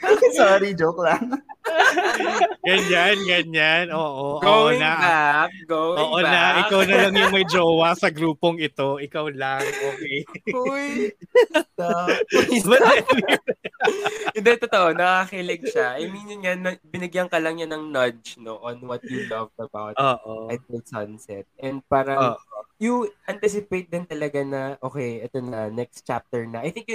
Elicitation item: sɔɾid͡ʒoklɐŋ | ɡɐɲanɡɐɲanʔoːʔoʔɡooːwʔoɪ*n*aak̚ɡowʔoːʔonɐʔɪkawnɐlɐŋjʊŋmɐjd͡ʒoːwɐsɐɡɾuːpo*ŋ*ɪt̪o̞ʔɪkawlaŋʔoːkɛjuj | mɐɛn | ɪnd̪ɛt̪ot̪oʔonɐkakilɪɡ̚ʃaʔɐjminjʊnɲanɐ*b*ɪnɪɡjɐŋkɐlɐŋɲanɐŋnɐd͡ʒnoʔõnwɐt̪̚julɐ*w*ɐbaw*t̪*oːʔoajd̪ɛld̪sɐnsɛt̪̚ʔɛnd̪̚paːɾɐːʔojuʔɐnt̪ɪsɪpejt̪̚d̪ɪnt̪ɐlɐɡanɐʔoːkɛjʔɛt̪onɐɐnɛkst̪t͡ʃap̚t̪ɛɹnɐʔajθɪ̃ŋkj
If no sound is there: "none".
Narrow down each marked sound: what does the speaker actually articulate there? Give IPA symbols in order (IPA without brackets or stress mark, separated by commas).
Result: n, ŋ, b, v, t̪